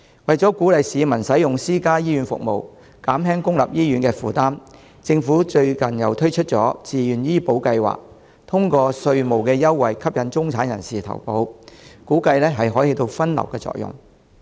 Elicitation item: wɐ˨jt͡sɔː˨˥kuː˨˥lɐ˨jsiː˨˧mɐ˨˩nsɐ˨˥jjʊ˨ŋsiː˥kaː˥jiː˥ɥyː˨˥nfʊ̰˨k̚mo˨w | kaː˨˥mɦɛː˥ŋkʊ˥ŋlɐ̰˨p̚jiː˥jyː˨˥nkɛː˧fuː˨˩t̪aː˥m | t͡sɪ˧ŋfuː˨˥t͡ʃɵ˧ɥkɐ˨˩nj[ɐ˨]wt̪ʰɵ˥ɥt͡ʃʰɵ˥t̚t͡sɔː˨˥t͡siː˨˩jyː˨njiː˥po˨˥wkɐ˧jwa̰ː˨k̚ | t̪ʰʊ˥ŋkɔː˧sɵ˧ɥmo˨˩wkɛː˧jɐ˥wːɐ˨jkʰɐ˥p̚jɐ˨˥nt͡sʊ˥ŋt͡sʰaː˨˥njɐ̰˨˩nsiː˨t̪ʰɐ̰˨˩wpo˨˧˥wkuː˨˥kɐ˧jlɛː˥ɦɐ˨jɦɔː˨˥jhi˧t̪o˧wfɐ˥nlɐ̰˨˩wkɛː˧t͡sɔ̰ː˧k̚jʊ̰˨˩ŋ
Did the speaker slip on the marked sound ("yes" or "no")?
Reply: no